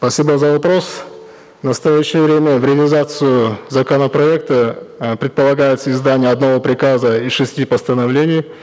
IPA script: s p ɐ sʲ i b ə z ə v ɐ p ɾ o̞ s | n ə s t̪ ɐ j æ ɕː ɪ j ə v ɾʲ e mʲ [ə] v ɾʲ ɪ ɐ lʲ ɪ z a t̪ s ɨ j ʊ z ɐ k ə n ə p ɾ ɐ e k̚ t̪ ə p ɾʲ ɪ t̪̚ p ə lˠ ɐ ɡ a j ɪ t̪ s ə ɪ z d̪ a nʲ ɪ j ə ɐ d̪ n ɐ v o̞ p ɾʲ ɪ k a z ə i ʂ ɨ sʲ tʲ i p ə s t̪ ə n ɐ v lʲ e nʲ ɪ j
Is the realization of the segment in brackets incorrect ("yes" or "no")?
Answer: no